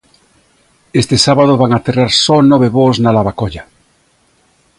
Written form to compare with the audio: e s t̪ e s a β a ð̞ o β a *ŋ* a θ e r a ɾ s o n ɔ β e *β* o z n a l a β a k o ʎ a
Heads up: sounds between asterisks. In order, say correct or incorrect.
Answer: correct, correct

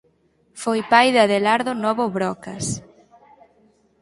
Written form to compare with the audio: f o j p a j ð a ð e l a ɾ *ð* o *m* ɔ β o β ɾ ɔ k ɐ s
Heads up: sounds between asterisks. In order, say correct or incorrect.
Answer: correct, incorrect

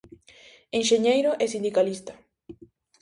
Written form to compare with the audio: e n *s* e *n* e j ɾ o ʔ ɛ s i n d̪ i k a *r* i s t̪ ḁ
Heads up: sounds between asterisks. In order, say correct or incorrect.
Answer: incorrect, incorrect, incorrect

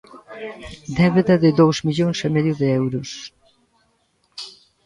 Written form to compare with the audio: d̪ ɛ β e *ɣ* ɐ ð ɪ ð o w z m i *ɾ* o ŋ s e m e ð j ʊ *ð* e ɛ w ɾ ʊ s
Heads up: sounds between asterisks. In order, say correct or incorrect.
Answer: incorrect, incorrect, correct

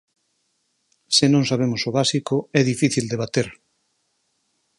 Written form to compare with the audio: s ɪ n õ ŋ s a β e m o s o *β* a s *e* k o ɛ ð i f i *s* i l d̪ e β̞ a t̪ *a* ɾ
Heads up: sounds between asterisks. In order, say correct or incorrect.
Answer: correct, incorrect, incorrect, incorrect

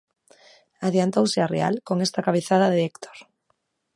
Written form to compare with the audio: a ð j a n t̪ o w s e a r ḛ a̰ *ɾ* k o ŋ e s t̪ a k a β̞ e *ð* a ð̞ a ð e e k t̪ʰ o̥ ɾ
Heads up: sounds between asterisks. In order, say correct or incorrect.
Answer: incorrect, incorrect

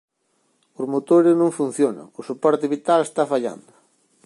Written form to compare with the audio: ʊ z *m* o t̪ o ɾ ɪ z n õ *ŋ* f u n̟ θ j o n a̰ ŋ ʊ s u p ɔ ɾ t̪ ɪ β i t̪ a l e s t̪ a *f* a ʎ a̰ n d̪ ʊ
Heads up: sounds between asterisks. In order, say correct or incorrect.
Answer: correct, correct, correct

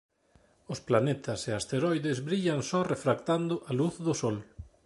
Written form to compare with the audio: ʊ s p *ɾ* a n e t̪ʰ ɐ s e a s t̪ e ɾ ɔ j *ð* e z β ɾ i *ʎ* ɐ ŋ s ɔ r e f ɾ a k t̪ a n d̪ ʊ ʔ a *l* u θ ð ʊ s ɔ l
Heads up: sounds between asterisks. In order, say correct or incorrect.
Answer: incorrect, correct, correct, correct

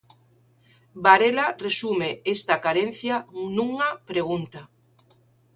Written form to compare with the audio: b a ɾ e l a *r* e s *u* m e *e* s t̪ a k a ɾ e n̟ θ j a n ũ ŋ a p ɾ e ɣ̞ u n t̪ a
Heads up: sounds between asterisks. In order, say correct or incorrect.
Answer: correct, correct, correct

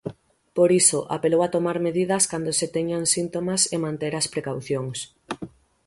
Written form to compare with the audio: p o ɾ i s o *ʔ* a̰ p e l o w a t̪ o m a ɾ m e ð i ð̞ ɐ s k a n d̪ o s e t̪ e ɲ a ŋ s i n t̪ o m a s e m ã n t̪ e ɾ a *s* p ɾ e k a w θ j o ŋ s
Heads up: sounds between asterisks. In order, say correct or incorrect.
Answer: correct, correct

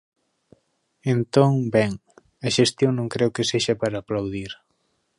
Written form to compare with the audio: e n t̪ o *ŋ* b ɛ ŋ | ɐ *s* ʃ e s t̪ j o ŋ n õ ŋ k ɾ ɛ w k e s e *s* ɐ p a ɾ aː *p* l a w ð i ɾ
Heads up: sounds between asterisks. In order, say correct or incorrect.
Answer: correct, incorrect, incorrect, correct

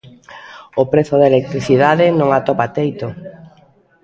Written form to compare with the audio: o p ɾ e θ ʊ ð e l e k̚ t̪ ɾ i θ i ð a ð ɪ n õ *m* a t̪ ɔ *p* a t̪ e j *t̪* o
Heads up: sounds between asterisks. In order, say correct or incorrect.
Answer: incorrect, correct, correct

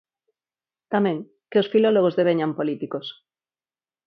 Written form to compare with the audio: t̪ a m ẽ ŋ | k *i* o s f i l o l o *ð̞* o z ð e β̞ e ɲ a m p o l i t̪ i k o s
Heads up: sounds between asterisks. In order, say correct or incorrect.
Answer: incorrect, incorrect

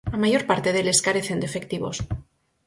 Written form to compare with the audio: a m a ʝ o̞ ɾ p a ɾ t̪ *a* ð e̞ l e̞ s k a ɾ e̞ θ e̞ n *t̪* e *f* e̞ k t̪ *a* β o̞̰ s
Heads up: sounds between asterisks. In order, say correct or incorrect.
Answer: incorrect, incorrect, correct, incorrect

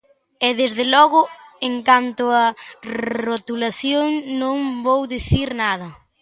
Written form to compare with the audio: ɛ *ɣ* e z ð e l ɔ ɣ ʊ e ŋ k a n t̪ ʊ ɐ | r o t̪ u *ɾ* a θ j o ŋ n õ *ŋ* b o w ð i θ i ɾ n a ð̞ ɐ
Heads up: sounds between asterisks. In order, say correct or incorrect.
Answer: incorrect, incorrect, correct

